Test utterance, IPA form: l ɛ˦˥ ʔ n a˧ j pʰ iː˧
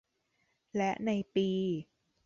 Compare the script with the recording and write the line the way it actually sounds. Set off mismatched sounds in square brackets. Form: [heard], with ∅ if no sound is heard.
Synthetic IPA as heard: l ɛ˦˥ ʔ n a˧ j [p] iː˧